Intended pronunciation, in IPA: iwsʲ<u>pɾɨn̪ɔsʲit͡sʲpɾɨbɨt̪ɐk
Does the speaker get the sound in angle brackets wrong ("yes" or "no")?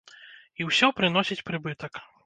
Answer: yes